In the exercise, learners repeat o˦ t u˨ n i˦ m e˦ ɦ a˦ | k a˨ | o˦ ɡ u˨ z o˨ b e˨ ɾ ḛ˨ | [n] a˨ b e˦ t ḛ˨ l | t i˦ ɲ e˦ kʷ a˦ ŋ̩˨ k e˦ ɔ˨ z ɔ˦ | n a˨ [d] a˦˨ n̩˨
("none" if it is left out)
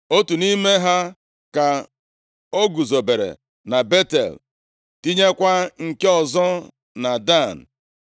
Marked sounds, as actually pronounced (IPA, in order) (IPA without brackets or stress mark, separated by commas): n, d